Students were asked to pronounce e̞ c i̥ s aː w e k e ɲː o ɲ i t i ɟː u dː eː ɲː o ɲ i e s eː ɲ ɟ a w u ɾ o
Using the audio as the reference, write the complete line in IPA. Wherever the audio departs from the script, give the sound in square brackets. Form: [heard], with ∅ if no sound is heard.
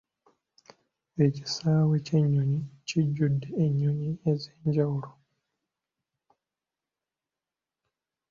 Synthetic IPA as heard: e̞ c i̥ s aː w e [c] e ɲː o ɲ i [c] i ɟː u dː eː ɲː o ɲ i e [z] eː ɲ ɟ a w u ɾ o